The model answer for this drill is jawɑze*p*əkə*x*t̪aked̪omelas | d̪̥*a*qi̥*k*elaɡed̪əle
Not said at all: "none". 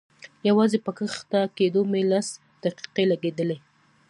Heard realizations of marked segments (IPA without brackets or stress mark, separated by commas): p, x, a, q